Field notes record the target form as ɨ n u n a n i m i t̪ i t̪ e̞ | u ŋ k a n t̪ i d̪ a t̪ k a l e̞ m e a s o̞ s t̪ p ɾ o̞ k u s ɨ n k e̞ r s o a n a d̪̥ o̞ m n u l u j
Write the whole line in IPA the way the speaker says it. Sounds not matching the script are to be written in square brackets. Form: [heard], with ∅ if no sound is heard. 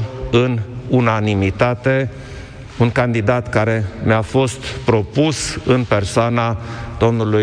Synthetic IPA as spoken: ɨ n u n a n i m i t̪ [a] t̪ e̞ | u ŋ k a n [d̪] i d̪ a t̪ k a [ɾ] e̞ m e a [f] o̞ s t̪ p ɾ o̞ [p] u s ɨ n [p] e̞ r s o a n a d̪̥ o̞ m n u l u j